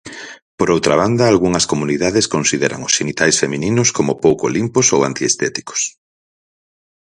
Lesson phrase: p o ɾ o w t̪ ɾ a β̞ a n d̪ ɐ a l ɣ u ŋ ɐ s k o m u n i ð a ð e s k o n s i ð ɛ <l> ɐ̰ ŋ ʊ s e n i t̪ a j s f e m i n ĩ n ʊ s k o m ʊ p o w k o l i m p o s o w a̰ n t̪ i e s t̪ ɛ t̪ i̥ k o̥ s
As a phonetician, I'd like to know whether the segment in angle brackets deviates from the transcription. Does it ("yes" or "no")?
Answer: yes